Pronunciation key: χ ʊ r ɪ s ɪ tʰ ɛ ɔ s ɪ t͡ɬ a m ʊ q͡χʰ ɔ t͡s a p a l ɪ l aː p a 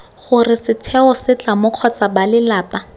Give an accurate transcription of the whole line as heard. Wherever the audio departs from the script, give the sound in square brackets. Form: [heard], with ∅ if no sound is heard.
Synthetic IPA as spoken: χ ʊ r ɪ s ɪ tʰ ɛ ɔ s ɪ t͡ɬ a m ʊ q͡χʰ ɔ t͡s a [b] a l ɪ l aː p a